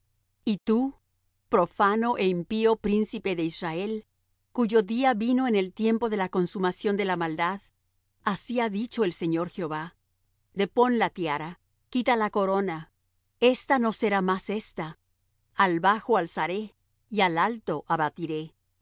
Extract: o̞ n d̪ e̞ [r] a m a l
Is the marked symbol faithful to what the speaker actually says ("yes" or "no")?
no